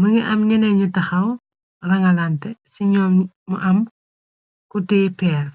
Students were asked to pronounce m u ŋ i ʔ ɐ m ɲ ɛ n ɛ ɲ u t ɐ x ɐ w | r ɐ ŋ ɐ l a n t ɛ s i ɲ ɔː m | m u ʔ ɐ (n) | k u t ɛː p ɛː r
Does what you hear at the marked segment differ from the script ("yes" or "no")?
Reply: yes